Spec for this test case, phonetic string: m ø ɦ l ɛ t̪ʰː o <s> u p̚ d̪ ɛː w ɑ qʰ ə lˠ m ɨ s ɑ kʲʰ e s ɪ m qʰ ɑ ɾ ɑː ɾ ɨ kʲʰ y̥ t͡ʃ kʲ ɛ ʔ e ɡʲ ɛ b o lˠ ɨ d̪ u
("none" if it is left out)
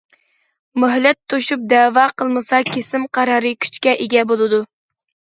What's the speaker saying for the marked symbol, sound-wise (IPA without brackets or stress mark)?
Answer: ʃ